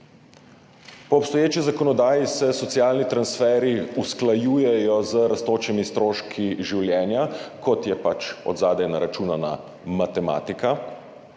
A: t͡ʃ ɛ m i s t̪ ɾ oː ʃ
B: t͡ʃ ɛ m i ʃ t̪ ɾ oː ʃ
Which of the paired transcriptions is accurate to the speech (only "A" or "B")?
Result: A